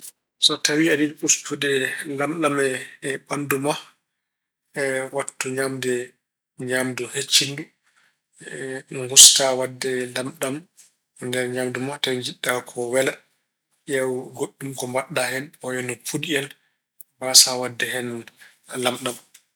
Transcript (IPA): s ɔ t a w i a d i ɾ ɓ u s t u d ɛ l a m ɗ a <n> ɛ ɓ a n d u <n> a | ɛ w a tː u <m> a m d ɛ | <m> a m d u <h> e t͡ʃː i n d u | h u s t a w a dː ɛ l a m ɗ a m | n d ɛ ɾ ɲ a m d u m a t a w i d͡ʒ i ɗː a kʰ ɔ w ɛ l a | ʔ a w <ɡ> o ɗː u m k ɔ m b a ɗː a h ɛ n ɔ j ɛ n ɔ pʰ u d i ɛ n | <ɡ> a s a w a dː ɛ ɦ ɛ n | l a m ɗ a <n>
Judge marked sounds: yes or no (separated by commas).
no, no, no, no, yes, yes, no, no